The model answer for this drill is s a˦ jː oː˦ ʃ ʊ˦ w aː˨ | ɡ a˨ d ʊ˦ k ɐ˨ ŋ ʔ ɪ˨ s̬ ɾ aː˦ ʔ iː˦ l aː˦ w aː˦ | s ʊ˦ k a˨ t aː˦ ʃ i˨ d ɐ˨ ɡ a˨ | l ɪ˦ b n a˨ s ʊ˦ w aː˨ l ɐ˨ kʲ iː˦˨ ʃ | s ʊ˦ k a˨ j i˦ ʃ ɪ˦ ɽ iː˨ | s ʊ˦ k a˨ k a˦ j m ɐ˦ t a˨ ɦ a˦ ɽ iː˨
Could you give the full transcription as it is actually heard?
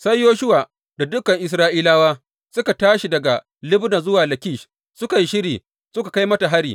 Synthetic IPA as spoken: s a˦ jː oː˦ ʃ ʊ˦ w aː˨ | d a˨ d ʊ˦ k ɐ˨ ŋ ʔ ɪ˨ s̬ ɾ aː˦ ʔ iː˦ l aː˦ w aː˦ | s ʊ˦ k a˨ t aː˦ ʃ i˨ d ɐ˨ ɡ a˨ | l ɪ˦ b n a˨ z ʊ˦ w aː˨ l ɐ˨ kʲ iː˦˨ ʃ | s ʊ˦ k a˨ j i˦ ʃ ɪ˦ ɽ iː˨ | s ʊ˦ k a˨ k a˦ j m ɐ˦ t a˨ ɦ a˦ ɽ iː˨